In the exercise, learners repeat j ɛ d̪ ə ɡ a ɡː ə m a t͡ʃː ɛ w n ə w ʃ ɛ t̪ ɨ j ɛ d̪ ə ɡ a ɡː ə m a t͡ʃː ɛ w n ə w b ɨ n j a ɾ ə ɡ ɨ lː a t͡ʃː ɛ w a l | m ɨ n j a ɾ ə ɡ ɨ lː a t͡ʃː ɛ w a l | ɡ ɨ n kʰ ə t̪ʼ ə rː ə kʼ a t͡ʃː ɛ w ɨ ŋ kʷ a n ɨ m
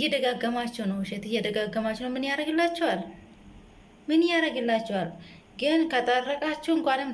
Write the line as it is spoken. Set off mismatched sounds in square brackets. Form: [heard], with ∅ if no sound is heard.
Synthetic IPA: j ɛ d̪ ə ɡ a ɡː ə m a t͡ʃː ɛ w n ə w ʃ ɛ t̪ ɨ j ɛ d̪ ə ɡ a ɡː ə m a t͡ʃː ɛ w n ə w [m] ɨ n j a ɾ ə ɡ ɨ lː a t͡ʃː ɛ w a l | m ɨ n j a ɾ ə ɡ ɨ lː a t͡ʃː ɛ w a l | ɡ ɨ n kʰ ə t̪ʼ ə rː ə kʼ a t͡ʃː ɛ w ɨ ŋ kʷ a n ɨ m